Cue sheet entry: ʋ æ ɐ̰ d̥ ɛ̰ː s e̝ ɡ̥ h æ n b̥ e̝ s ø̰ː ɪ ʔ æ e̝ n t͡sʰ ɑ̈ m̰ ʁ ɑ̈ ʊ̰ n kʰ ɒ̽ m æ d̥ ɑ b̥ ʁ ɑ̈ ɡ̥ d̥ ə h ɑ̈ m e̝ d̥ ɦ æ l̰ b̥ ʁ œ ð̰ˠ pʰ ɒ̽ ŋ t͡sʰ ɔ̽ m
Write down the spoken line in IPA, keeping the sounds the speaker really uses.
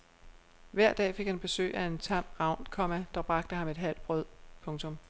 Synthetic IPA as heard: ʋ æ ɐ̰ d̥ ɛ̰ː f e̝ ɡ̥ h æ n b̥ e̝ s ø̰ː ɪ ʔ æ e̝ n t͡sʰ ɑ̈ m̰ ʁ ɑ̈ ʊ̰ n kʰ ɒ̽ m æ d̥ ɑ b̥ ʁ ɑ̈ ɡ̥ d̥ ə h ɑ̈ m e̝ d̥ ɦ æ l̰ b̥ ʁ œ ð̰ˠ pʰ ɔ̽ ŋ t͡sʰ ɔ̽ m

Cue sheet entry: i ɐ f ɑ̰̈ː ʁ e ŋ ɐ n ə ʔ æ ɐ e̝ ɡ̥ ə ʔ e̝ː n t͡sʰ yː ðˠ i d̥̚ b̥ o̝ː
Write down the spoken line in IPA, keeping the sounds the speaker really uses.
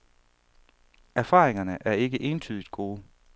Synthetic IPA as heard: æ ɐ f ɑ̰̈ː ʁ e ŋ ɐ n ə ʔ æ ɐ e̝ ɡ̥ ə ʔ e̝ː n t͡sʰ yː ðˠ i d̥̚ ɡ̥ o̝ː

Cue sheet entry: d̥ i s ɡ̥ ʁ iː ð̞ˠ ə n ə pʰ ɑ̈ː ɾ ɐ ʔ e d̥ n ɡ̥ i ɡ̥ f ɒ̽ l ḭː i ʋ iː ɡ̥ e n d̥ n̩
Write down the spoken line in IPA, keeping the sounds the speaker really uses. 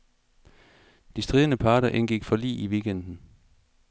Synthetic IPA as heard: d̥ i s d̥ ʁ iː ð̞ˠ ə n ə pʰ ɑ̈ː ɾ ɐ ʔ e n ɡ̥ i ɡ̥ f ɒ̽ l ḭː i ʋ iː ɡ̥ e n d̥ n̩

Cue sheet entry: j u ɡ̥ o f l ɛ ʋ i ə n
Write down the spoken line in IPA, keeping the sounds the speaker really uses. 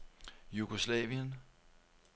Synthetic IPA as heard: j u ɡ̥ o s l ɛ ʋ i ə n

